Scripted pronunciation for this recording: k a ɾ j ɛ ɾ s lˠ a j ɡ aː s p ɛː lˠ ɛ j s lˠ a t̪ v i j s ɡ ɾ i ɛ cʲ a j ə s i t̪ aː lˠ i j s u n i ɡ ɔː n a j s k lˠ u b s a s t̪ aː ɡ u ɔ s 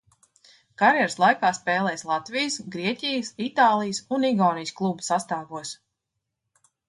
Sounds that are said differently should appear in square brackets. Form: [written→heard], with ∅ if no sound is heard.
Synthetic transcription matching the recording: k a ɾ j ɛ ɾ s lˠ a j [ɡ→k] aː s p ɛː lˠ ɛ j s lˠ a t̪ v i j s ɡ ɾ i ɛ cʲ [a→i] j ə s i t̪ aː lˠ i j s u n i ɡ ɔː n [a→i] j s k lˠ u b s a s t̪ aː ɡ u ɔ s